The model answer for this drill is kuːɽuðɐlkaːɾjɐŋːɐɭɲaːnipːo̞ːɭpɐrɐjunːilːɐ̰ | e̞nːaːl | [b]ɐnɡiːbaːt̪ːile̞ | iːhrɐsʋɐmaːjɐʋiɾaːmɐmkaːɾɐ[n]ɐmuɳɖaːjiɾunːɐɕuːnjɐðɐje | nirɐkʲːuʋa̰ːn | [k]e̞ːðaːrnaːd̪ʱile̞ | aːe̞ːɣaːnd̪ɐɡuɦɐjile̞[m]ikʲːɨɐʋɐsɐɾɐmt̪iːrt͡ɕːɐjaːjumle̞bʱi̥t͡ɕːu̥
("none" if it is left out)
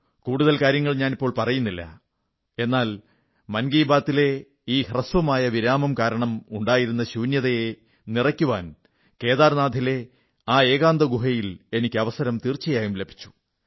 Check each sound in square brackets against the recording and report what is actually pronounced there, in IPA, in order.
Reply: m, ɳ, k, n

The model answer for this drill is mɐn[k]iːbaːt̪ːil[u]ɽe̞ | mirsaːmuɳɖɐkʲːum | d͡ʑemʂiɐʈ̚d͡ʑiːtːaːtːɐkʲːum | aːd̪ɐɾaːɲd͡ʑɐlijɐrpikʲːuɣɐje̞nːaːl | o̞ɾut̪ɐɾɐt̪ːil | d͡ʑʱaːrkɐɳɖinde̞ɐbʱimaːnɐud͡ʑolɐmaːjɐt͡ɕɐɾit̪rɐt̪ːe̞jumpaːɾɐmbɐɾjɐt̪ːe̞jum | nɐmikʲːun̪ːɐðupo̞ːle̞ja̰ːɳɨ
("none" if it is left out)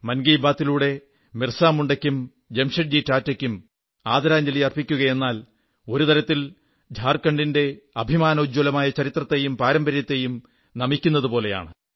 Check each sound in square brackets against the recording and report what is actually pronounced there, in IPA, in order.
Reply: ɡ, uː

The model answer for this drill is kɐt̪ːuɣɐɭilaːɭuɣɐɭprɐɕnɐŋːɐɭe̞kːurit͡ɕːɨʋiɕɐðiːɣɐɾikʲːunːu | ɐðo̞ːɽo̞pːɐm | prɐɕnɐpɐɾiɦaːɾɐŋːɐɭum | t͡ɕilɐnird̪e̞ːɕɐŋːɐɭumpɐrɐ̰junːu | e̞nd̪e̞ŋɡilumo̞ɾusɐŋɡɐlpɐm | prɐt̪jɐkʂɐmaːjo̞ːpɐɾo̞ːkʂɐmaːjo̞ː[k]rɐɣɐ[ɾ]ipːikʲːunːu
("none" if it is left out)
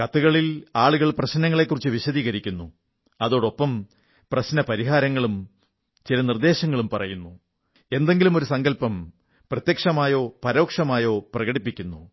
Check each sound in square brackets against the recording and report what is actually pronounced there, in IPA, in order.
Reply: p, ɽ

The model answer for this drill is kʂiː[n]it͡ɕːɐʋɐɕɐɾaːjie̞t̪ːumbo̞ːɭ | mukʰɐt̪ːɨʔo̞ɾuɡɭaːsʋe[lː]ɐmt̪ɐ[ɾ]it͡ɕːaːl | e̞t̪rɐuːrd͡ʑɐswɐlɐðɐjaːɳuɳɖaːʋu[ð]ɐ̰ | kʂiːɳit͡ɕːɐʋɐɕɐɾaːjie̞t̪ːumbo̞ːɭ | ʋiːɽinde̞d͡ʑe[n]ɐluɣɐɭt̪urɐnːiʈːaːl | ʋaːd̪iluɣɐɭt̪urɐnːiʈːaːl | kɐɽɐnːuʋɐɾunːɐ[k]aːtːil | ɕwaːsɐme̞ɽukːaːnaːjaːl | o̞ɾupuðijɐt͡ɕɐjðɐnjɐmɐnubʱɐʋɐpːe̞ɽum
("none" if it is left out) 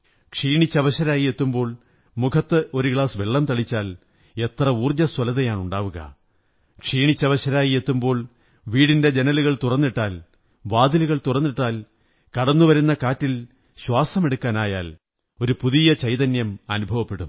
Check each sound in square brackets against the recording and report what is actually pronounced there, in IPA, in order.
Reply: ɳ, ɭː, ɭ, ɣ, n, k

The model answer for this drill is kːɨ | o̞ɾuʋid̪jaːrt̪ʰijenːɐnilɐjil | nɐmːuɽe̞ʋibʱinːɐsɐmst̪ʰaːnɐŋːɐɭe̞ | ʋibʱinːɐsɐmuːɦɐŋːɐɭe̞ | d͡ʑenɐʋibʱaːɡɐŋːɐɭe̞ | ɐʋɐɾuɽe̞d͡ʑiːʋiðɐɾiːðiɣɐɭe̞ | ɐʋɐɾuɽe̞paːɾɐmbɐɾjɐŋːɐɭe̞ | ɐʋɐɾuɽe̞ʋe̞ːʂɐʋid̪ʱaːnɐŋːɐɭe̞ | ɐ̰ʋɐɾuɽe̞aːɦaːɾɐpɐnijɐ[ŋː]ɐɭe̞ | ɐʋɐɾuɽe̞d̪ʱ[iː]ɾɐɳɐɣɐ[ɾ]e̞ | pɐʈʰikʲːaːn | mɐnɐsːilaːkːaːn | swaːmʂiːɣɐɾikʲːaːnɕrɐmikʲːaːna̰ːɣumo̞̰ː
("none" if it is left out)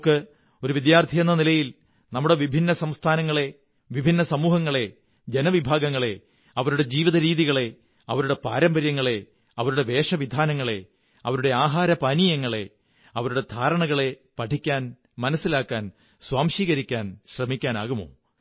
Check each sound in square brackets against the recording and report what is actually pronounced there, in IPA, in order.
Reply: ŋː, aː, ɭ

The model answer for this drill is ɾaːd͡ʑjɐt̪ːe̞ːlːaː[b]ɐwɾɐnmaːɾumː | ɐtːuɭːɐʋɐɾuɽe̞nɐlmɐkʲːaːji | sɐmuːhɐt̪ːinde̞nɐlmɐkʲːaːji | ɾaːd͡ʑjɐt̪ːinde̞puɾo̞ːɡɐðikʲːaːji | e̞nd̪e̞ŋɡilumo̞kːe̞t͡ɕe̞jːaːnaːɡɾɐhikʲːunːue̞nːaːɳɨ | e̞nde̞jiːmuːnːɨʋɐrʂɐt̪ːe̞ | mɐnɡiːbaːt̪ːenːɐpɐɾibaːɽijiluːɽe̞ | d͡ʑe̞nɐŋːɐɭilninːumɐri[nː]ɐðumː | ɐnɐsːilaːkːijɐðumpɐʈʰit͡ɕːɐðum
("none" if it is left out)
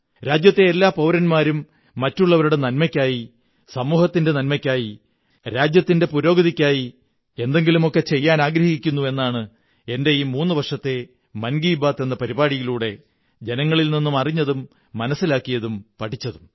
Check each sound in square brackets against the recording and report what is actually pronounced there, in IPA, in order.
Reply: p, ɲː

